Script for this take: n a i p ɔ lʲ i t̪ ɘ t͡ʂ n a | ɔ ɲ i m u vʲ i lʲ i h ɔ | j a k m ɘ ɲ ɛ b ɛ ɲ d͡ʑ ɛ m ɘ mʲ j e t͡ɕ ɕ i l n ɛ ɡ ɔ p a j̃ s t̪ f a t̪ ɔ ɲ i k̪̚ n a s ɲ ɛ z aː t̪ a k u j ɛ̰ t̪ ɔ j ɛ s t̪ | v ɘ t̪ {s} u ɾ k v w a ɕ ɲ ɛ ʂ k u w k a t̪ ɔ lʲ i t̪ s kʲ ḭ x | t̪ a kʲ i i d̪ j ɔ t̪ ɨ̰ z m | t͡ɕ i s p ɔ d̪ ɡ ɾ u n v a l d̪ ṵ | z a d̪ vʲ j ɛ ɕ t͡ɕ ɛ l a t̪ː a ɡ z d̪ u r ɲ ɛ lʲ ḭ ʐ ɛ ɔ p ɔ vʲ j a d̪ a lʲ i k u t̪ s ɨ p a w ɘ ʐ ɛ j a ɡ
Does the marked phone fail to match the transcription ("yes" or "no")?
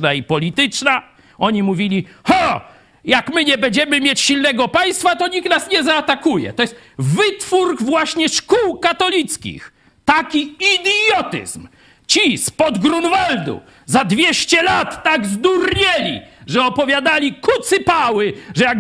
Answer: yes